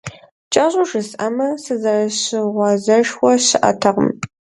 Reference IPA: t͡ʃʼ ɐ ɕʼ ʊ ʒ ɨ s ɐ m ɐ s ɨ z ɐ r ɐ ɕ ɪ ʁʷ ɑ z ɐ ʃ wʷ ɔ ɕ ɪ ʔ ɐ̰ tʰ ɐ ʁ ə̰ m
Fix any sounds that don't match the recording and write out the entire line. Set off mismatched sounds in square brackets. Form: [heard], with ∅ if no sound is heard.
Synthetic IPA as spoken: t͡ʃʼ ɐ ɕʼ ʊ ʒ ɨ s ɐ m ɐ s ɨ z ɐ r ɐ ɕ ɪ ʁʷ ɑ z ɐ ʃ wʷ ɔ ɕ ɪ ʔ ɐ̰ tʰ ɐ ʁ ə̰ m